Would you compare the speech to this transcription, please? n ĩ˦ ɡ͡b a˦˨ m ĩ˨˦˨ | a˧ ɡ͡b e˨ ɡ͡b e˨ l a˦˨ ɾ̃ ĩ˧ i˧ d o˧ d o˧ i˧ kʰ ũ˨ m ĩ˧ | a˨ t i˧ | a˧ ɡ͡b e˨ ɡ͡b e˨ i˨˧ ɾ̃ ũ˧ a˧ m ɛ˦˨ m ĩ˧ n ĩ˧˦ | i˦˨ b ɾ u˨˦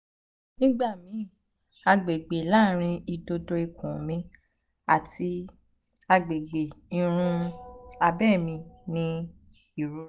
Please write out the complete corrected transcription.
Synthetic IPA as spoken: n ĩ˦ ɡ͡b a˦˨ m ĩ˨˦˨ | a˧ ɡ͡b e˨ ɡ͡b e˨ l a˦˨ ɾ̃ ĩ˧ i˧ d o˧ d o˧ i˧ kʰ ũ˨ m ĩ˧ | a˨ t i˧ | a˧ ɡ͡b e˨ ɡ͡b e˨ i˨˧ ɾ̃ ũ˧ a˧ b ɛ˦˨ m ĩ˧ n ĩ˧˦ | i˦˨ ɾ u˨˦